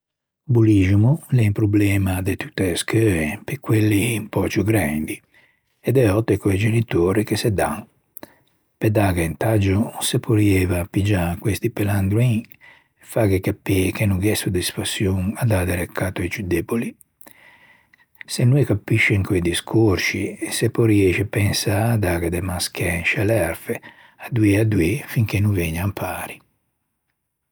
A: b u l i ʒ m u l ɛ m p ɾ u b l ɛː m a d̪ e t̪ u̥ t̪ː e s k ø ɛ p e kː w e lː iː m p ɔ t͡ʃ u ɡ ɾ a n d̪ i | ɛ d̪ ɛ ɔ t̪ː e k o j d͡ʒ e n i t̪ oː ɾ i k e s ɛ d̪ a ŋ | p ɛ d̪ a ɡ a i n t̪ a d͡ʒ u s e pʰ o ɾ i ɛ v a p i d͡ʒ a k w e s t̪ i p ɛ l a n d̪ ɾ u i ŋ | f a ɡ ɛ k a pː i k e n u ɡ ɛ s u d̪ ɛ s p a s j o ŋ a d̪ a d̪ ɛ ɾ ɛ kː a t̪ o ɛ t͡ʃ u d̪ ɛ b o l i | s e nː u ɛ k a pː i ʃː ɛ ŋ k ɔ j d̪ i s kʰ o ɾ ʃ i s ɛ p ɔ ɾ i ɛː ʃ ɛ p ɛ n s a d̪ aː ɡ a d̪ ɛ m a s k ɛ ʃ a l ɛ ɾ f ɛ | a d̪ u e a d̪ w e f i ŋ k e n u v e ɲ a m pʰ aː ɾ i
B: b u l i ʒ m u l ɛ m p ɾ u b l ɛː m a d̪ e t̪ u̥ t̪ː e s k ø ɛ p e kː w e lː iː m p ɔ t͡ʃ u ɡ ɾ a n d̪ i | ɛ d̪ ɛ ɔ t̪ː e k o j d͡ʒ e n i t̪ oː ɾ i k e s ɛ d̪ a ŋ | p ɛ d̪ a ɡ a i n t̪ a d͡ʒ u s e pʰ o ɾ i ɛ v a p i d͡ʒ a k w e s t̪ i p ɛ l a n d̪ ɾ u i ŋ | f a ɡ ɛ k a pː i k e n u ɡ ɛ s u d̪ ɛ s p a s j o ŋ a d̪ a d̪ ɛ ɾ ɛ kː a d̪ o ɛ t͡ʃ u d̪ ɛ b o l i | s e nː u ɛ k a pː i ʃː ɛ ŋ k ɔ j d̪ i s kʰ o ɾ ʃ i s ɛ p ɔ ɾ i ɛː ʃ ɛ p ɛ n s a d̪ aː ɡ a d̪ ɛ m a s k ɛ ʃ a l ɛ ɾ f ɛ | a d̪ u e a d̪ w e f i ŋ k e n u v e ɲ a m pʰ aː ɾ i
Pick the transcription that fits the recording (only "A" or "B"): A